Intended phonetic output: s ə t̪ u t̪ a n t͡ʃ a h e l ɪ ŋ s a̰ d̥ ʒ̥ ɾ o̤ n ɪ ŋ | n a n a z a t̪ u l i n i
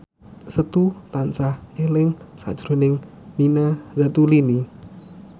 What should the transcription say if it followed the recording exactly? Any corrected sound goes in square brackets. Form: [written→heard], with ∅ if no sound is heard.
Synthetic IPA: s ə t̪ u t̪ a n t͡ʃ a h e l ɪ ŋ s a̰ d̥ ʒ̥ ɾ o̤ n ɪ ŋ | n [a→i] n a z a t̪ u l i n i